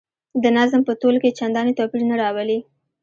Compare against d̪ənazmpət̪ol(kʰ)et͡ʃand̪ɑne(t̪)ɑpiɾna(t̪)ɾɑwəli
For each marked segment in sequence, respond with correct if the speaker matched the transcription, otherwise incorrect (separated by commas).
incorrect, correct, incorrect